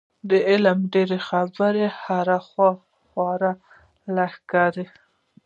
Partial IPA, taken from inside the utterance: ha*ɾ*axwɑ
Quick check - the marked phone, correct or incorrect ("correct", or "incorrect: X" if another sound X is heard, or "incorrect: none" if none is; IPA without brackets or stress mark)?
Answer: correct